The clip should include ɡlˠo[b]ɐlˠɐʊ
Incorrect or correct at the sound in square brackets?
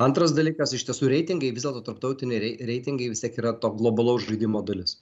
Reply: correct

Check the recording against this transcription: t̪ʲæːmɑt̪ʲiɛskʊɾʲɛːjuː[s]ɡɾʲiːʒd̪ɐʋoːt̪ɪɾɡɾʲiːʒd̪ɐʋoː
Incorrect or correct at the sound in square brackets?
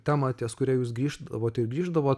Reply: correct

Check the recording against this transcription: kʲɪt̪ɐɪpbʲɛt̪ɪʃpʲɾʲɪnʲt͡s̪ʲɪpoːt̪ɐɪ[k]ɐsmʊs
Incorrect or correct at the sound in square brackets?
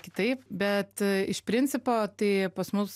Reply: incorrect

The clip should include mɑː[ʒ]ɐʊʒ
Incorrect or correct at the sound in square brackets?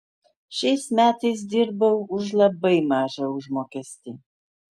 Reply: correct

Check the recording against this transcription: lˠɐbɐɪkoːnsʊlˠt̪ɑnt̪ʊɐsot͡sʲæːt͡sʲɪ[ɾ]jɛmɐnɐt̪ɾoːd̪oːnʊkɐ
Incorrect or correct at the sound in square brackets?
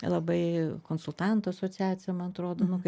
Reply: incorrect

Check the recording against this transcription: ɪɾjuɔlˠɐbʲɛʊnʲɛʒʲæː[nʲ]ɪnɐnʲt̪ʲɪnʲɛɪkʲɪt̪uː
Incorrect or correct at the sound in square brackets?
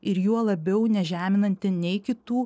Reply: incorrect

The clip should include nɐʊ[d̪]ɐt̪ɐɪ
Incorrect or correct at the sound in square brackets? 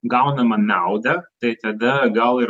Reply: correct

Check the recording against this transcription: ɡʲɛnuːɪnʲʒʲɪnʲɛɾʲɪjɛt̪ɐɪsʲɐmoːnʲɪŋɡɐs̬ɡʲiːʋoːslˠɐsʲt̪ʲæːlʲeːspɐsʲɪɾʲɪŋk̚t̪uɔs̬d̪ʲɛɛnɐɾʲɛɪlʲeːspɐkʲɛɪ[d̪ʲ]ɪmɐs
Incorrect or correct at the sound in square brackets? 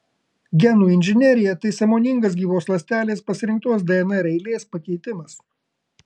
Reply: incorrect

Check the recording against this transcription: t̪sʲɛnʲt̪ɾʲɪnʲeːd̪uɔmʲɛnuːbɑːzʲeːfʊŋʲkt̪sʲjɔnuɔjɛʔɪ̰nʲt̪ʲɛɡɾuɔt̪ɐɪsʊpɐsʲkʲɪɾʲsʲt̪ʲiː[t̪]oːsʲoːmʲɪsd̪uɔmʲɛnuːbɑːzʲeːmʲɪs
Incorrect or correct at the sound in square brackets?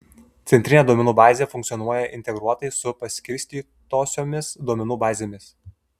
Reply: correct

